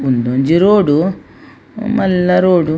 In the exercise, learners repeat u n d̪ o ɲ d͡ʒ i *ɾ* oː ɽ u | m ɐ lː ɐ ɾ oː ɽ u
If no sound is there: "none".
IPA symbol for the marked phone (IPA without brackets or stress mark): ɾ